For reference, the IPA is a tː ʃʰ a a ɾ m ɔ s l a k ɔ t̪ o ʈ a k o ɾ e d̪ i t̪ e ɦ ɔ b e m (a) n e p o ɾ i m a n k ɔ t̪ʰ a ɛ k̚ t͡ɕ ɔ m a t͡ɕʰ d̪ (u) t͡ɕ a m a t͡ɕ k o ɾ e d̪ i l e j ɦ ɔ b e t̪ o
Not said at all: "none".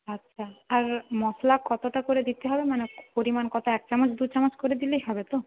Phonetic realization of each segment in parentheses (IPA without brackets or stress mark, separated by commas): a, u